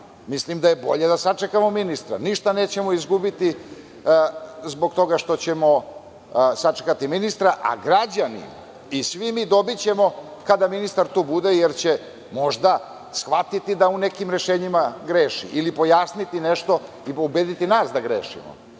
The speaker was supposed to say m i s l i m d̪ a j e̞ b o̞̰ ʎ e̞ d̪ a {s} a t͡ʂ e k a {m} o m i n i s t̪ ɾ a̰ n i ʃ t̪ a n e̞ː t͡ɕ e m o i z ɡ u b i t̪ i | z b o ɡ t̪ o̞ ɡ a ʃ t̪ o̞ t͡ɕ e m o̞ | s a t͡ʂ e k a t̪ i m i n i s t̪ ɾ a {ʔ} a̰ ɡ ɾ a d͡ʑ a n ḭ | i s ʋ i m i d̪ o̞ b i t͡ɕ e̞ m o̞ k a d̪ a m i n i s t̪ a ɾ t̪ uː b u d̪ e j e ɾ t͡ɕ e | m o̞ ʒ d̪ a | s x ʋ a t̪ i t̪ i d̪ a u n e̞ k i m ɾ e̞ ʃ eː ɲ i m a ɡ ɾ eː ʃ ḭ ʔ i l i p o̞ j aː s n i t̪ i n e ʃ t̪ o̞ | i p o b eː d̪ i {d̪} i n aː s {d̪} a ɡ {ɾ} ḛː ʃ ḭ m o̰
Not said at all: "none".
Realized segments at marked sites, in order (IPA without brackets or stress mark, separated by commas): s, m, ʔ, t̪, d̪, ɾ